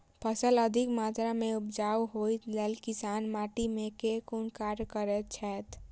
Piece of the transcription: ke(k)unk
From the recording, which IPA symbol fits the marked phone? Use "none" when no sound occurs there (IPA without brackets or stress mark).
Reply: k